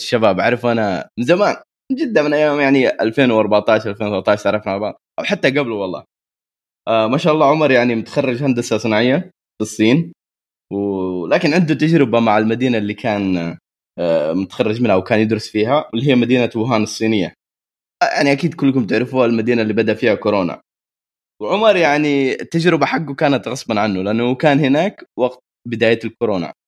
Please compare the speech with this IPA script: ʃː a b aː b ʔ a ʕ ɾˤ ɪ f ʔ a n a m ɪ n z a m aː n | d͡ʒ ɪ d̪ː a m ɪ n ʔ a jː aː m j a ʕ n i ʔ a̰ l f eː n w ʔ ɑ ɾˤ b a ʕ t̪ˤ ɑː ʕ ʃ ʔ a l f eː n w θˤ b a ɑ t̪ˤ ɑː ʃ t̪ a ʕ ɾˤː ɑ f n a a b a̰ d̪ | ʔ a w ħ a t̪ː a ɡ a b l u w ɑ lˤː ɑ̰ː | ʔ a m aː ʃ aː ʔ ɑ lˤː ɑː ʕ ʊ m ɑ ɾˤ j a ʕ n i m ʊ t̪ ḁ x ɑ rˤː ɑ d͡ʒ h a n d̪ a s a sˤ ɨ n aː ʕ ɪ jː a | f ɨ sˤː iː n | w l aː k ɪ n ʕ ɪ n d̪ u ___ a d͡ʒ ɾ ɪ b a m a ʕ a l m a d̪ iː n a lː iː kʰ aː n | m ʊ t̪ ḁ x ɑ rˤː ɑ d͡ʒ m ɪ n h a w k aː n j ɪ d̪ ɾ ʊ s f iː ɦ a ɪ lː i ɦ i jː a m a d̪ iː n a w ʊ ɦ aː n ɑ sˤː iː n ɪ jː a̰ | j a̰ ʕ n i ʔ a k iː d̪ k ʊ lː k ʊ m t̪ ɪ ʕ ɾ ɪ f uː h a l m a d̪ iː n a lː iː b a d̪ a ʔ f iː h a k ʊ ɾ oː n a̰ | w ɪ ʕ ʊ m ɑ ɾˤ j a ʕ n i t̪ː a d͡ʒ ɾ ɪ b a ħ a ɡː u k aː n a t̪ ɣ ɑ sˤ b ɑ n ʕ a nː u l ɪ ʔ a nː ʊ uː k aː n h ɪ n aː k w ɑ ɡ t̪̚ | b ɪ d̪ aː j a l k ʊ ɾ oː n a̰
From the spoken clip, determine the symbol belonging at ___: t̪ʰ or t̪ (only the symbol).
t̪